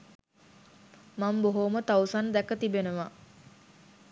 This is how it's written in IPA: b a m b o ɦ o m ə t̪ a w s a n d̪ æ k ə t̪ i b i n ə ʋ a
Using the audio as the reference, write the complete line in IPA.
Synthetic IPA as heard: m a m b o ɦ o m ə t̪ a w s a n d̪ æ k ə t̪ i b e n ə ʋ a